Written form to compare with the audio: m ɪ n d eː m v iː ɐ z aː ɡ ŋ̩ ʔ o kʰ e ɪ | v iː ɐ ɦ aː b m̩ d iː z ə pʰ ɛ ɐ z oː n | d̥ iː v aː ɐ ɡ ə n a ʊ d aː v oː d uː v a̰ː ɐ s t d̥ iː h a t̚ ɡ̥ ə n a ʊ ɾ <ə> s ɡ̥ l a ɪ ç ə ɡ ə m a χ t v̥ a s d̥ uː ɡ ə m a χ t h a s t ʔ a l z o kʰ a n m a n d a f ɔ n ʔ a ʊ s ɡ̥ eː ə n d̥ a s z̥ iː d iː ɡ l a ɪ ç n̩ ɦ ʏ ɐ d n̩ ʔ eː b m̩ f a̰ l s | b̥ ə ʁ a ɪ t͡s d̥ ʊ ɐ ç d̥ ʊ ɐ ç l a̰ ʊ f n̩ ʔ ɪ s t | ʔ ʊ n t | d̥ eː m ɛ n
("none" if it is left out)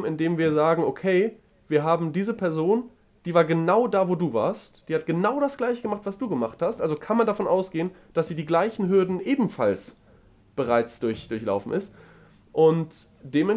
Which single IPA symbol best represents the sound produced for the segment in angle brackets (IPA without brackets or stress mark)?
a